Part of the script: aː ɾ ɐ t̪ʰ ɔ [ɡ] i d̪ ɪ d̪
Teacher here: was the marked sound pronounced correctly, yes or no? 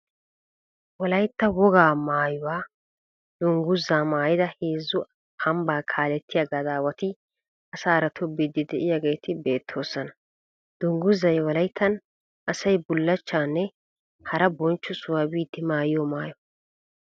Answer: no